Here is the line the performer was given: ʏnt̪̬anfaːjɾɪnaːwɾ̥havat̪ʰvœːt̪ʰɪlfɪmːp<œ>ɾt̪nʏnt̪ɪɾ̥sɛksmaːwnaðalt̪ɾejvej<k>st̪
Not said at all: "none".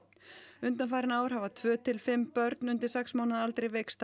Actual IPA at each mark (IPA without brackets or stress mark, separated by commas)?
œ, k